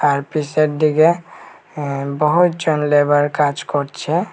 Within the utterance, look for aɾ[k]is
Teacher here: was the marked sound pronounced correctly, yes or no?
no